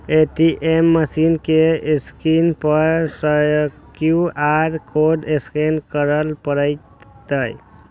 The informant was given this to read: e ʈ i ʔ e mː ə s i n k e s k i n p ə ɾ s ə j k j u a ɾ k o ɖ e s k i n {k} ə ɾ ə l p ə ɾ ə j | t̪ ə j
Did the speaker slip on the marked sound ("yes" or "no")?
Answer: no